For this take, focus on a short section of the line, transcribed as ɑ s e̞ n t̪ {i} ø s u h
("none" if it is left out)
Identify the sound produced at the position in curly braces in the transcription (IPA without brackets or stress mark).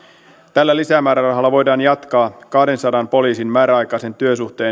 y